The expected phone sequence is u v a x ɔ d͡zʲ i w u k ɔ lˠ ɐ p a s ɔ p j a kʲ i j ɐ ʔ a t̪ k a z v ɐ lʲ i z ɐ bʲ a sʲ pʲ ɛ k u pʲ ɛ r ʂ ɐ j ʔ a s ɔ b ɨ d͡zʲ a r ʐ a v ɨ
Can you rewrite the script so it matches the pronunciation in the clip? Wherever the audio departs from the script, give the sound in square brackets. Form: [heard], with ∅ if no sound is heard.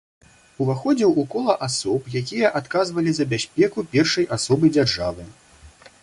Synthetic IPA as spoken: u v a x ɔ d͡zʲ i w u k ɔ lˠ ɐ [ʔ] a s ɔ p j a kʲ i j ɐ ʔ a t̪ k a z v ɐ lʲ i z ɐ bʲ a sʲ pʲ ɛ k u pʲ ɛ r ʂ ɐ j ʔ a s ɔ b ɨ d͡zʲ a r ʐ a v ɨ